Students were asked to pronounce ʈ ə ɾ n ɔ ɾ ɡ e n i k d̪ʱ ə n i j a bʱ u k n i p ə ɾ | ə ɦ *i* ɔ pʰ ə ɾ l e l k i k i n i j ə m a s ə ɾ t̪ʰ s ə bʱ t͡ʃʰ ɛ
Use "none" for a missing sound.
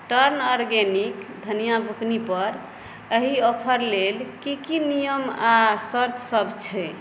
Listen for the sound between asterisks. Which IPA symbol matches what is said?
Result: i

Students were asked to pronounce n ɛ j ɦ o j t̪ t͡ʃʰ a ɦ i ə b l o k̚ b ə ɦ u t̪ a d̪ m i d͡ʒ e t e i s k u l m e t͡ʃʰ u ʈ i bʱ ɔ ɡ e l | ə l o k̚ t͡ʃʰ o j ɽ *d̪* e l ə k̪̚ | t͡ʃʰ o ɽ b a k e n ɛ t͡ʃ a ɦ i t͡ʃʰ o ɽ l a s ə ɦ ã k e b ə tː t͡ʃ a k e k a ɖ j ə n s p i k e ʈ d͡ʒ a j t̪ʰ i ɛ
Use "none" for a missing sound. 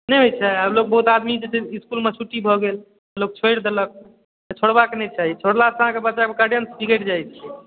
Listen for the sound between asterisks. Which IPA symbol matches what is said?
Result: d̪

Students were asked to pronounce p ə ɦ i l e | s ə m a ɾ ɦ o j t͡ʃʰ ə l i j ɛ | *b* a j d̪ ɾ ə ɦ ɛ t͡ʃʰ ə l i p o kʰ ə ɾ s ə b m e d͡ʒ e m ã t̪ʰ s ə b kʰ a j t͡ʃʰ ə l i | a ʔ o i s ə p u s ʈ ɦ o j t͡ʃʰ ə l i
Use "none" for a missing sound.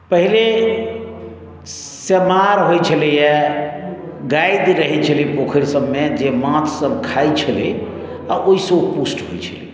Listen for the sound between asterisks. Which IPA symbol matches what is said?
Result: ɡ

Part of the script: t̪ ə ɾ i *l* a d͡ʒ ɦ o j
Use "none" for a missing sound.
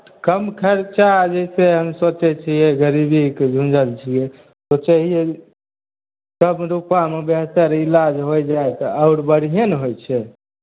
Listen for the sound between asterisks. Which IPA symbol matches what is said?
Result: l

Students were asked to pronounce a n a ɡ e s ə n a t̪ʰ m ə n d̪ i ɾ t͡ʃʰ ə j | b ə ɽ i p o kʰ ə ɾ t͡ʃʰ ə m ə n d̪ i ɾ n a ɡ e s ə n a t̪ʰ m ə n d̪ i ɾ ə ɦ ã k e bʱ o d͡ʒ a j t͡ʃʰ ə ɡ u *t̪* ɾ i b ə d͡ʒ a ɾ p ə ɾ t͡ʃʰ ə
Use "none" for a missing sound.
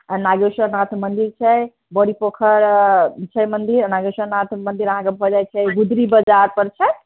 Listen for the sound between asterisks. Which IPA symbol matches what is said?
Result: d̪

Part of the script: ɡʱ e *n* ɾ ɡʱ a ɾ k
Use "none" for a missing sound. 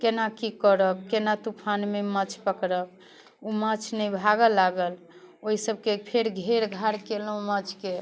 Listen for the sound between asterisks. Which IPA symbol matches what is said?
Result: none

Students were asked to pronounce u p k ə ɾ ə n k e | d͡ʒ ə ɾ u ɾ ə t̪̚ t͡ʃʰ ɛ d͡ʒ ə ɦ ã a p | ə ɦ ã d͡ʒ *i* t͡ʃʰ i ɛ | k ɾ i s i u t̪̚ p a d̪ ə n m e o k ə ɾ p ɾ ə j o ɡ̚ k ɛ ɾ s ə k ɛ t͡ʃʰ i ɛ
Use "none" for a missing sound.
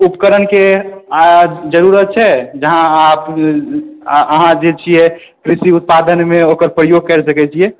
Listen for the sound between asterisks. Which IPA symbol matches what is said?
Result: e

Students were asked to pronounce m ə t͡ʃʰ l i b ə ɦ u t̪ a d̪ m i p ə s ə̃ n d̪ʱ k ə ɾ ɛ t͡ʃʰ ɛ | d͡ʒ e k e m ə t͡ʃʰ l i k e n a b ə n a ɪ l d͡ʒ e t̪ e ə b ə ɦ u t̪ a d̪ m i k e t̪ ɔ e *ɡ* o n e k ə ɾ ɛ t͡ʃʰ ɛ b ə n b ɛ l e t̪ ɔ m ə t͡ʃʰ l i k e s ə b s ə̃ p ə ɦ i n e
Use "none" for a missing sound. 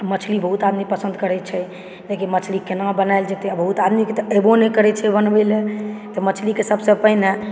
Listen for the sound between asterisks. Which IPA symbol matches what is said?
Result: b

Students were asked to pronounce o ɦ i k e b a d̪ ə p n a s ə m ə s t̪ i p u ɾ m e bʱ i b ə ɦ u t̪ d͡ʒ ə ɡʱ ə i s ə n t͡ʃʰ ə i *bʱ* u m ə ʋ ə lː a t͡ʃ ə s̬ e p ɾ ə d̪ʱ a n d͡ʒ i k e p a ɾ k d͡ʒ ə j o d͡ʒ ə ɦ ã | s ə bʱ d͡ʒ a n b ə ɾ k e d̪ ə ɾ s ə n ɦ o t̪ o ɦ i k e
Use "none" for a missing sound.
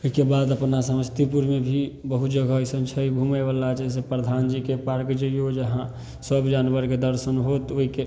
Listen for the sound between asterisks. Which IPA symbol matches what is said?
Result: bʱ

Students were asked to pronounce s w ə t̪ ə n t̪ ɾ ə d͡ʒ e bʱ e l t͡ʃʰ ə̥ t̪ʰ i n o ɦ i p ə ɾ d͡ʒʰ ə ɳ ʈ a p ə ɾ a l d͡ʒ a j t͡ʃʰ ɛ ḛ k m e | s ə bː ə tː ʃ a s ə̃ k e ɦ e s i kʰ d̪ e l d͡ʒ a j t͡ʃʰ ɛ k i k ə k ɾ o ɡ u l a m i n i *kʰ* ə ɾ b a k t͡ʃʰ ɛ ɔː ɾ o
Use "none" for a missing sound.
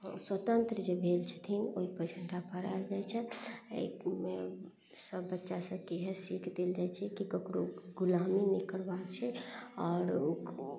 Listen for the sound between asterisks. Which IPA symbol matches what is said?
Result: k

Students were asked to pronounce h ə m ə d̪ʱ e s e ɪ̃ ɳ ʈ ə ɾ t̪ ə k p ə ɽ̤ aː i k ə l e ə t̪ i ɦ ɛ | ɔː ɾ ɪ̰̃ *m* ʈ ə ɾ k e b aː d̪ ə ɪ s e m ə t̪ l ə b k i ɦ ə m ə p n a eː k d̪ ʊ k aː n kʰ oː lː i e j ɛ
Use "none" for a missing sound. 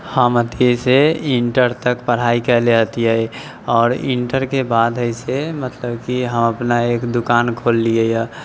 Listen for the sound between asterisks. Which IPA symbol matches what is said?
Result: ɳ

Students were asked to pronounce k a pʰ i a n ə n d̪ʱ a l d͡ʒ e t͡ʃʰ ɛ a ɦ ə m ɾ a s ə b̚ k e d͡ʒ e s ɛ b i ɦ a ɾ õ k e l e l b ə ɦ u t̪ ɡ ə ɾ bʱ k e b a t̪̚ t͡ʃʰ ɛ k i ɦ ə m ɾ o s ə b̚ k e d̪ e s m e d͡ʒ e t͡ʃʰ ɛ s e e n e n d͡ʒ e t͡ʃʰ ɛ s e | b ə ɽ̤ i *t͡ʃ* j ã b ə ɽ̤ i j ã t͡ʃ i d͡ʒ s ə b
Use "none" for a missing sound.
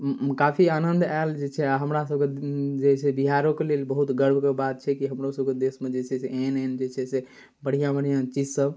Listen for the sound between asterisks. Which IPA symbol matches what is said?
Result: none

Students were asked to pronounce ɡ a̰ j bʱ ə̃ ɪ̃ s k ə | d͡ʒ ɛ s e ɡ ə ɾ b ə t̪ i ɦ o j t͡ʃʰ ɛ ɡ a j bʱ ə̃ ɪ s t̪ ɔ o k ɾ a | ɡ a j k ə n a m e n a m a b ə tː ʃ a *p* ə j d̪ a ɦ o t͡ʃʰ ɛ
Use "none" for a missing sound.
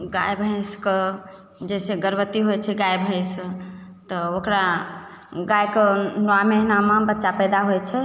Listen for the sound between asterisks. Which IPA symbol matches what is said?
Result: p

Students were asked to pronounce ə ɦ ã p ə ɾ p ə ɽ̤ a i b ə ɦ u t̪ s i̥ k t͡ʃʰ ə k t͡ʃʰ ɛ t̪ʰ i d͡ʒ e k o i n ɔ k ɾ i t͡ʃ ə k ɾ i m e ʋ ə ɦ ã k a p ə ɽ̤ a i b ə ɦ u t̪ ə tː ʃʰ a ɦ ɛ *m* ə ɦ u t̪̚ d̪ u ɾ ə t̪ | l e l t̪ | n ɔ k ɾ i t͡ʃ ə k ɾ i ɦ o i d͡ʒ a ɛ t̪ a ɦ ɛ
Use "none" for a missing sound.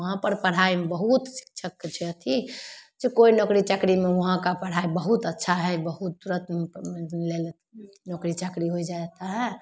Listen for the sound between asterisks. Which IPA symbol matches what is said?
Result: b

